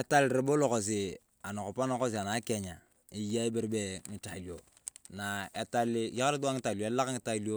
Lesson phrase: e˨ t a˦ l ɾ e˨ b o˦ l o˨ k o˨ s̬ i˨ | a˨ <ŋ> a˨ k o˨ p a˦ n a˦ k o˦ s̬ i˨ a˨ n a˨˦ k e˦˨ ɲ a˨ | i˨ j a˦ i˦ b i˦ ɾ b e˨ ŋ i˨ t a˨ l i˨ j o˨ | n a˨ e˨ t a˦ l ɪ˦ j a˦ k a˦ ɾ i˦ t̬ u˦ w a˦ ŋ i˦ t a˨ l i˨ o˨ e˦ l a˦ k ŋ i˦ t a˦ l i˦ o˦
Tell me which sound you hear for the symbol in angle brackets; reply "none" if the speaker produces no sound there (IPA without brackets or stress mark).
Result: n